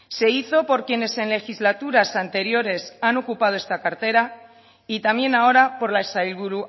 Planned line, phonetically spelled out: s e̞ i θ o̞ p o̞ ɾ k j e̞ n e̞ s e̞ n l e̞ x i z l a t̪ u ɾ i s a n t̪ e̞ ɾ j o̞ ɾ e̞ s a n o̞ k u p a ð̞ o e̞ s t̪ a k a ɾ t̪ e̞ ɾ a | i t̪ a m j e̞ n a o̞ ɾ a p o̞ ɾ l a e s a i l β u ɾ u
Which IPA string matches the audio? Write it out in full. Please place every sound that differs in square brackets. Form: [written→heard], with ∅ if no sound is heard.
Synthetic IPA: s e̞ i θ o̞ p o̞ ɾ k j e̞ n e̞ s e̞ n l e̞ x i z l a t̪ u ɾ [i→a] s a n t̪ e̞ ɾ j o̞ ɾ e̞ s a n o̞ k u p a ð̞ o e̞ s t̪ a k a ɾ t̪ e̞ ɾ a | i t̪ a m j e̞ n a o̞ ɾ a p o̞ ɾ l a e s a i l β u ɾ u